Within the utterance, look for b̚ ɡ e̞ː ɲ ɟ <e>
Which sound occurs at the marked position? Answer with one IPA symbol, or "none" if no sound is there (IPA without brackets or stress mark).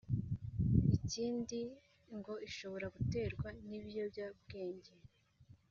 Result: e